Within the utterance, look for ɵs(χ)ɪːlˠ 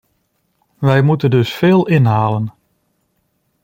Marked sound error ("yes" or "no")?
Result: yes